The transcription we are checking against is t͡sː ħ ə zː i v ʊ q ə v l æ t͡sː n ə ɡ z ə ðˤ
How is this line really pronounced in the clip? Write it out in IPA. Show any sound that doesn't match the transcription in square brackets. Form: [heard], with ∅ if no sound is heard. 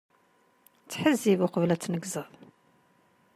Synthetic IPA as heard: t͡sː ħ ə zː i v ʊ q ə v l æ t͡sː n ə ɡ z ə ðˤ